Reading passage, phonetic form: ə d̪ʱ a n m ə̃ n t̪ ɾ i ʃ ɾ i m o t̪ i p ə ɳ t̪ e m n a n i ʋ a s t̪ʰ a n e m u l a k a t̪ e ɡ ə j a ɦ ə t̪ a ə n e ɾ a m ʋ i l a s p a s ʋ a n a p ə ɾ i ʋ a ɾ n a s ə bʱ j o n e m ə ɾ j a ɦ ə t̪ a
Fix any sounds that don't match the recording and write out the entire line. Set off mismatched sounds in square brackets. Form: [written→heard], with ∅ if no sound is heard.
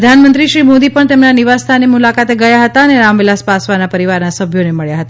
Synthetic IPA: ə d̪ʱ a n m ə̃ n t̪ ɾ i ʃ ɾ i m o [t̪→d̪] i p ə ɳ t̪ e m n a n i ʋ a s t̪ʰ a n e m u l a k a t̪ e ɡ ə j a ɦ ə t̪ a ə n e ɾ a m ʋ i l a s p a s ʋ a n a p ə ɾ i ʋ a ɾ n a s ə bʱ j o n e m ə [ɾ→ɭ] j a ɦ ə t̪ a